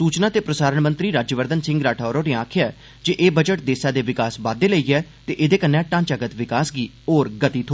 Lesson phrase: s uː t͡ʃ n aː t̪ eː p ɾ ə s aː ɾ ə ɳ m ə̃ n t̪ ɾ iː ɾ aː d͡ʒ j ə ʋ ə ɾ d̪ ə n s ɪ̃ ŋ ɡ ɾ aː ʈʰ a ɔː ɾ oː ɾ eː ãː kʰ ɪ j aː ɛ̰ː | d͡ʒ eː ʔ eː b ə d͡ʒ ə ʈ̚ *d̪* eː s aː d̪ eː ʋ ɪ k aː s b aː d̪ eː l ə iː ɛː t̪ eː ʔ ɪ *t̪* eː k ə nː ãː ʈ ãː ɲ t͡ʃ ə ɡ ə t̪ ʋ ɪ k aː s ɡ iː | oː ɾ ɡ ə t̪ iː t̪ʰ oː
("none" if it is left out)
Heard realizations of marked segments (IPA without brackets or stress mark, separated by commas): d̪, d̪